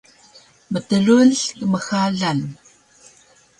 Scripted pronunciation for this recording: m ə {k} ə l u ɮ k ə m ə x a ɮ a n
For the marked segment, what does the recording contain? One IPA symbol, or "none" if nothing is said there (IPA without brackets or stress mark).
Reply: t